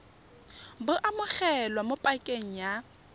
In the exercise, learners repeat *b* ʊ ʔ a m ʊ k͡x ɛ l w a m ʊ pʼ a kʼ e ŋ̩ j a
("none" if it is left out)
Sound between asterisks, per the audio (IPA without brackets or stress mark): b